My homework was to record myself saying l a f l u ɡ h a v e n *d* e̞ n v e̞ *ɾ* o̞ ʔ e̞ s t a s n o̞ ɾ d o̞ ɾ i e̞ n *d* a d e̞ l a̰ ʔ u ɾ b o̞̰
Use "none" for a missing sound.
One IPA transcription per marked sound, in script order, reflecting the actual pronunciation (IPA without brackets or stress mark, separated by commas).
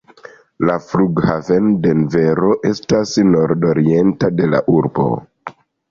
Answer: d, ɾ, t